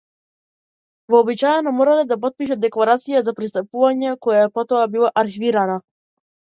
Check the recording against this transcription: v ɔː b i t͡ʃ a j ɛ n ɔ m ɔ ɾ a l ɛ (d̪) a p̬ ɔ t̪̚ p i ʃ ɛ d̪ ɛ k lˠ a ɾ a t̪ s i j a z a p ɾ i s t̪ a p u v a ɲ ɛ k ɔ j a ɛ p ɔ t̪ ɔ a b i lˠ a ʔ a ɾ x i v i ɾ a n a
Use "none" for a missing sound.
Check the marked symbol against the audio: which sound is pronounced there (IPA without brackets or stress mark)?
d̪